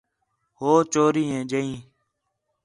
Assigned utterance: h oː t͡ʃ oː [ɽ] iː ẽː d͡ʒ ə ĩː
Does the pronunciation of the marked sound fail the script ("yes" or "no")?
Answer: yes